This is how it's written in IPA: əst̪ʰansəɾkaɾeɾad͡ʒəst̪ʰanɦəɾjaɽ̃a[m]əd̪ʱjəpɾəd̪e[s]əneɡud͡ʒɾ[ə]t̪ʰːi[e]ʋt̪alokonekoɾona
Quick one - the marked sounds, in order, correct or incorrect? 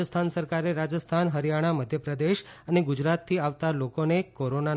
correct, incorrect: ʃ, incorrect: a, incorrect: a

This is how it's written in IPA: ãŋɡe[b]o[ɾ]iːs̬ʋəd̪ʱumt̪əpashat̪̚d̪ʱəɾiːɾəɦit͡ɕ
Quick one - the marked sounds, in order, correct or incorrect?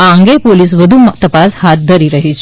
incorrect: p, incorrect: l

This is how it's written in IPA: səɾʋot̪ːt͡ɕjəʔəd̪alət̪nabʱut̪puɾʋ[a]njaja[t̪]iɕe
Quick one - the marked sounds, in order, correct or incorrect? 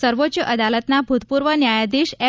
incorrect: ə, incorrect: d̪

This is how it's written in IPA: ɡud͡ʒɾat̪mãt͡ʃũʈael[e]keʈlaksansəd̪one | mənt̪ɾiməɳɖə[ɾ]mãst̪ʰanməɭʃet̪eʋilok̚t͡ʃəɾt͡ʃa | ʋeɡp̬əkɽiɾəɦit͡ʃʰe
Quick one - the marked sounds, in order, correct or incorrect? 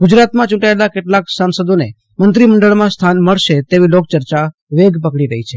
incorrect: a, incorrect: ɭ

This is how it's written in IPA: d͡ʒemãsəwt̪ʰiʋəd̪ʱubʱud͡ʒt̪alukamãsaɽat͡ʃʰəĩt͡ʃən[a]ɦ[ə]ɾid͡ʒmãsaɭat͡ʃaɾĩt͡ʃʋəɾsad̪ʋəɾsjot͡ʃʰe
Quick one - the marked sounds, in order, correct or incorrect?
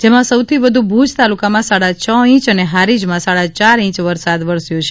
incorrect: e, incorrect: a

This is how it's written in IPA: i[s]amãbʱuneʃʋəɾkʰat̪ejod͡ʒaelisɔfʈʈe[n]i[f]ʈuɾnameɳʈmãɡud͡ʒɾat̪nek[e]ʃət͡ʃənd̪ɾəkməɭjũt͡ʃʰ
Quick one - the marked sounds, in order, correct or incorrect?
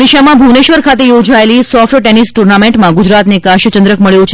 incorrect: ʃ, correct, incorrect: s, incorrect: a

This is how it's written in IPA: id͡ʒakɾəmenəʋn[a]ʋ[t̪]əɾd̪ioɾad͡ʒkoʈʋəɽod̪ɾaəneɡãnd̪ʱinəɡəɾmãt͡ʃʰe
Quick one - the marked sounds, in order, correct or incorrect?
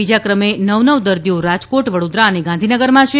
incorrect: ə, incorrect: d̪

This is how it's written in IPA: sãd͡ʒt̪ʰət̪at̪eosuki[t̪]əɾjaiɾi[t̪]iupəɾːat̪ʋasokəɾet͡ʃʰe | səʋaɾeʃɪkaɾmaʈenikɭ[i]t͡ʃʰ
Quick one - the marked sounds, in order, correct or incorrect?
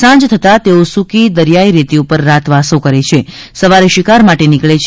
incorrect: d̪, correct, incorrect: e

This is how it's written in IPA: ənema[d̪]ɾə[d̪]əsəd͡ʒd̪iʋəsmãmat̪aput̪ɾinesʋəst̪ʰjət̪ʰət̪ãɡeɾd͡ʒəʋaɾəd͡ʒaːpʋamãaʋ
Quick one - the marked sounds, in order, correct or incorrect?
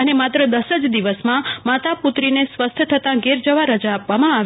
incorrect: t̪, correct

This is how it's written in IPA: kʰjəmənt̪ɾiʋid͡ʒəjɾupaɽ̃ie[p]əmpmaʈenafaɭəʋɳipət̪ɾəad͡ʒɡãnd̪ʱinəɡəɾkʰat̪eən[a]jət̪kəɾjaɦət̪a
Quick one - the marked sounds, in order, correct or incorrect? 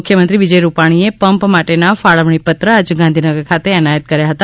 correct, correct

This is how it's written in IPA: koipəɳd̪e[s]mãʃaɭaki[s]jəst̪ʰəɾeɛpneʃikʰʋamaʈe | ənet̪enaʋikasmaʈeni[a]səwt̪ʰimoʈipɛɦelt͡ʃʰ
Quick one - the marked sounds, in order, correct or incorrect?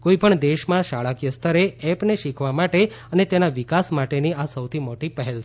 incorrect: ʃ, incorrect: none, correct

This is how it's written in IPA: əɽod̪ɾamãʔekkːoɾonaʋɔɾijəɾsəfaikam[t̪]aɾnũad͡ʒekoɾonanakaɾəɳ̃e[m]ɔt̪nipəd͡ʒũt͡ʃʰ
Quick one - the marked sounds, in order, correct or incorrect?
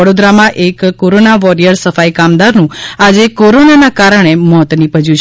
incorrect: d̪, correct

